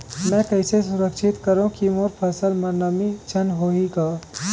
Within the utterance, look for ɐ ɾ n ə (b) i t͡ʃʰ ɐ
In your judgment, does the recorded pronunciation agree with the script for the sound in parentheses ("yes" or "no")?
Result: no